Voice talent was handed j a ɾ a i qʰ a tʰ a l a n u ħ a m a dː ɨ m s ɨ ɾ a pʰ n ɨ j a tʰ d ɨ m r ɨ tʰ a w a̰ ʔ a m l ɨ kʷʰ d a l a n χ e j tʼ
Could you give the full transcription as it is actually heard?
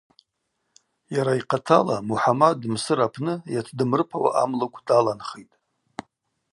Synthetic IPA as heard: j a ɾ a i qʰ a tʰ a l a m u ħ a m a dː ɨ m s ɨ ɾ a pʰ n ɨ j a tʰ d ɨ m r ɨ pʰ a w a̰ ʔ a m l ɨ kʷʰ d a l a n χ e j tʼ